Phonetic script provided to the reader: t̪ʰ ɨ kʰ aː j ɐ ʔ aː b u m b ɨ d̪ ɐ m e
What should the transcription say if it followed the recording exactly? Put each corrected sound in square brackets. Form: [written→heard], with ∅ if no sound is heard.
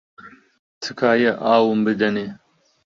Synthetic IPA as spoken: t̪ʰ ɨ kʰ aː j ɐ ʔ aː [b→w] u m b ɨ d̪ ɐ [m→n] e

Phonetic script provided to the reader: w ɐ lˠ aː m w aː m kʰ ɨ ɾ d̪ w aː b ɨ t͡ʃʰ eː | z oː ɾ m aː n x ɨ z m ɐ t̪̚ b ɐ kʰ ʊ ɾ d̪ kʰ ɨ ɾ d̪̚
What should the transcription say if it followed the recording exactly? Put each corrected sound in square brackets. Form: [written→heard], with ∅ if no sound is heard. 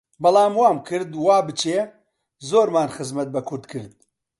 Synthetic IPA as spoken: [w→b] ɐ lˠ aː m w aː m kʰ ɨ ɾ d̪ w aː b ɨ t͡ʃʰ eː | z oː ɾ m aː n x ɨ z m ɐ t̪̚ b ɐ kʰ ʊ ɾ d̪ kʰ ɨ ɾ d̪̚

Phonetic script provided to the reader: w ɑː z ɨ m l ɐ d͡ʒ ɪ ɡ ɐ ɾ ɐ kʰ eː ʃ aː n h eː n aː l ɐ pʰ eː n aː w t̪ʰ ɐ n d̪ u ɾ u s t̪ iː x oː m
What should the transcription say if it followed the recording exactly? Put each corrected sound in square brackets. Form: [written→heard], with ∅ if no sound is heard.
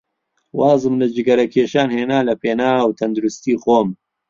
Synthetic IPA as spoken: w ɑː z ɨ m l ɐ d͡ʒ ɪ ɡ ɐ ɾ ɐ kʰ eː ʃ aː n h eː n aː l ɐ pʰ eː n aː w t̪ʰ ɐ n d̪ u ɾ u s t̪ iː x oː m

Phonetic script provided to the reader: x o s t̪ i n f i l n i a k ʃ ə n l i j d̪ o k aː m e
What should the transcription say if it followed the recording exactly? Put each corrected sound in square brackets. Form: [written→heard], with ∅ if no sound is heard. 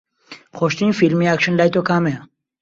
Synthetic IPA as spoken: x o [s→ʃ] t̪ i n f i l [n→m] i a k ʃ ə n l [i→a] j [d̪→t̪] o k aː m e

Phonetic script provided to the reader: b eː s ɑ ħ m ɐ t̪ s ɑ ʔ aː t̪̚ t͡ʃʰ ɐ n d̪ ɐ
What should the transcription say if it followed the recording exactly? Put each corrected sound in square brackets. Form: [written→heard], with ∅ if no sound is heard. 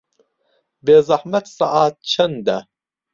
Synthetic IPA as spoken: b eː [s→z] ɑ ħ m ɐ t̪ s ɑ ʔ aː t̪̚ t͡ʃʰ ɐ n d̪ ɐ

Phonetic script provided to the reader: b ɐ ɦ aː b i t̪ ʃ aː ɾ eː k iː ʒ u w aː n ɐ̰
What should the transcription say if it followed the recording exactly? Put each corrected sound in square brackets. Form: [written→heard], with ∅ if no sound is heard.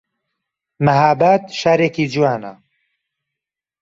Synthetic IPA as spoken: [b→m] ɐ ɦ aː b [i→a] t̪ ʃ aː ɾ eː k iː [ʒ→d͡ʒ] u w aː n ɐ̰

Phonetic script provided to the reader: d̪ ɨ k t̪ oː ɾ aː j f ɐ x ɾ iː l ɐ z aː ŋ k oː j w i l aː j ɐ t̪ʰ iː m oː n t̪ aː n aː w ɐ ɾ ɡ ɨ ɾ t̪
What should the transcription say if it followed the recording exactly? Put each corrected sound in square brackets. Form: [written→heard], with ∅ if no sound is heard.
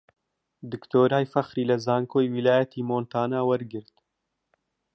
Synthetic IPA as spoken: d̪ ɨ k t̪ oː ɾ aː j f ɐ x ɾ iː l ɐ z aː ŋ k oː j w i l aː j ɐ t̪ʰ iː m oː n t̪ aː n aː w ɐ ɾ ɡ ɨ ɾ t̪

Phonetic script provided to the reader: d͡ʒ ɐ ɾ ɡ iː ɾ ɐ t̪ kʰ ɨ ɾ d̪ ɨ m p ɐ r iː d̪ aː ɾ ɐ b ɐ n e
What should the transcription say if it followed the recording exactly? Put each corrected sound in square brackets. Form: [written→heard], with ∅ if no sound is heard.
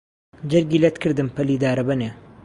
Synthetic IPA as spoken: d͡ʒ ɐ ɾ ɡ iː [ɾ→l] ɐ t̪ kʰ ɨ ɾ d̪ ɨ m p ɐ [r→l] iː d̪ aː ɾ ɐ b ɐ n e

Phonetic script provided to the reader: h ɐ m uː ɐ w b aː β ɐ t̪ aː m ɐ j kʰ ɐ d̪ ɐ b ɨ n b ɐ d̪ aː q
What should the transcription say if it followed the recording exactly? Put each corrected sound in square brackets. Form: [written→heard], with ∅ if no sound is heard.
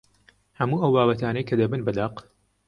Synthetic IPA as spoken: h ɐ m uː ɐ w b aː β ɐ t̪ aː [m→n] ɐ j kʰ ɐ d̪ ɐ b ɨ n b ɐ d̪ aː q

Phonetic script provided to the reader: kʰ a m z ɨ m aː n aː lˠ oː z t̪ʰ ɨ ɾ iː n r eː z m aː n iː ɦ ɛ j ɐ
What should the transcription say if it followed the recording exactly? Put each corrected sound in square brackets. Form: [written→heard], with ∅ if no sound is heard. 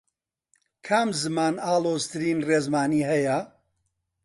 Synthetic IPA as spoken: kʰ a m z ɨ m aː n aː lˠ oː z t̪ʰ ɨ ɾ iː n r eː z m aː n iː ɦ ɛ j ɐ

